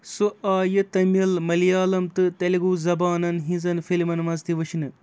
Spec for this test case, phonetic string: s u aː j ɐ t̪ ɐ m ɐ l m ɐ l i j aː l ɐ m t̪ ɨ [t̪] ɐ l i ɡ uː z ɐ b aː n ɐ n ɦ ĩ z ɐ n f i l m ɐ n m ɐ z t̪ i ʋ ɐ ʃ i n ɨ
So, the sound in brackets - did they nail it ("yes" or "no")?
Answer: yes